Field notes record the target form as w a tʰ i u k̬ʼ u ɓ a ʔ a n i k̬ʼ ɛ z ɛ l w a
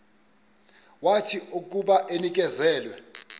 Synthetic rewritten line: w a tʰ i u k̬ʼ u ɓ a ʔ e n i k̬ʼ ɛ z ɛː l w ɛ